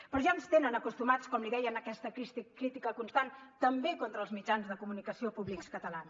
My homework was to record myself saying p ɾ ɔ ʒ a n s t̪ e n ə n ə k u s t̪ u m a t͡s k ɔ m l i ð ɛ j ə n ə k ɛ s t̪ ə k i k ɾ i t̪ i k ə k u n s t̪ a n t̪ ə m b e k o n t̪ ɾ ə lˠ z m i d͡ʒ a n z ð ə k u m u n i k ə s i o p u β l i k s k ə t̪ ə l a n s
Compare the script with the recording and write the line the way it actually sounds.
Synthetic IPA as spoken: p ɾ ɔ ʒ a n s t̪ e n ə n ə k u s t̪ u m a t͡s k ɔ m l i ð ɛ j ə n ə k ɛ s t̪ ə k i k ɾ i t̪ i k ə k u n s t̪ a n t̪ ə m b e k o n t̪ ɾ ə lˠ z m i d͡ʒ a n z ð ə k u m u n i k ə s i o p u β l i k s k ə t̪ ə l a n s